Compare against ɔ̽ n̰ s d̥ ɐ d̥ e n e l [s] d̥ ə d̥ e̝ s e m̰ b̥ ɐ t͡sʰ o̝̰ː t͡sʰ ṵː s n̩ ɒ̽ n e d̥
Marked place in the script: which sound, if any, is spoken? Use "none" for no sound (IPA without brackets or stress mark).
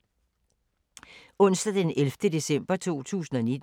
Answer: f